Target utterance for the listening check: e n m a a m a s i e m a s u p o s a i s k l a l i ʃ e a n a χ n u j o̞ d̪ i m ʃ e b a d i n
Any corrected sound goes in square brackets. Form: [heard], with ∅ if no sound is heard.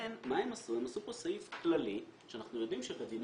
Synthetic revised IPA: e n m a [e] m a s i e m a s u p o s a i [f] k l a l i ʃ e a n a χ n u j o̞ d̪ i m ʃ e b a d i n